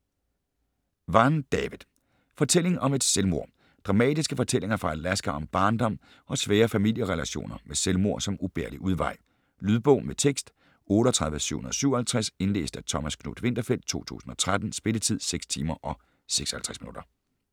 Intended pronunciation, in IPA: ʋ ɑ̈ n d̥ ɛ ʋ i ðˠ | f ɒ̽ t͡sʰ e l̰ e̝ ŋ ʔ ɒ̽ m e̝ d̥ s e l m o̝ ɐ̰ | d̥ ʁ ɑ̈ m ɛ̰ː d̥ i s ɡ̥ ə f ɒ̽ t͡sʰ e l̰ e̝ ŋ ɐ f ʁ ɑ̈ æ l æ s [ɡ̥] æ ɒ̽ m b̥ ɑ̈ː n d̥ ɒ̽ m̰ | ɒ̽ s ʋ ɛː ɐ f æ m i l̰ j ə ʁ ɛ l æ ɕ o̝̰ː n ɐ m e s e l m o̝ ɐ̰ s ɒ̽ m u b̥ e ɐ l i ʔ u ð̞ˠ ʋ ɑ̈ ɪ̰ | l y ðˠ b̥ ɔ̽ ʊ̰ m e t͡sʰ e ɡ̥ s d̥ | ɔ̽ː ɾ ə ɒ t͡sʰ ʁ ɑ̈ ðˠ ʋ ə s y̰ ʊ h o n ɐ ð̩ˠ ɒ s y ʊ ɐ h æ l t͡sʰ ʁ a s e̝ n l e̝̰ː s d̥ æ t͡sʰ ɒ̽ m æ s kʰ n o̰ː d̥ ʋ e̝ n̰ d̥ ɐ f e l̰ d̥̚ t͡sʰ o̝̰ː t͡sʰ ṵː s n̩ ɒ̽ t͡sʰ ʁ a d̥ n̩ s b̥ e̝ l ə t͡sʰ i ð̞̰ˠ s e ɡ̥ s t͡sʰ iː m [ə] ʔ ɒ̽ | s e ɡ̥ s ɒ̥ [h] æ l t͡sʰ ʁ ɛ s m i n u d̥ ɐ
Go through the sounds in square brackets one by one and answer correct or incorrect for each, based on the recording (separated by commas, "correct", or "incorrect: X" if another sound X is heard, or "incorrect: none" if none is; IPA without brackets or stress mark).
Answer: correct, incorrect: ɐ, correct